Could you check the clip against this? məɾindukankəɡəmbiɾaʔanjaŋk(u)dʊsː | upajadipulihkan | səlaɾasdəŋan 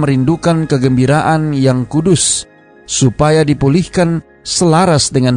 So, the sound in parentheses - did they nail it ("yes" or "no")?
yes